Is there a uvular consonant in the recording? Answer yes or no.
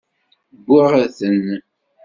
yes